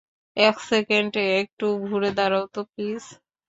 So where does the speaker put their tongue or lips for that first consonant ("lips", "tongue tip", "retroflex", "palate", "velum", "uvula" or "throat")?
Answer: velum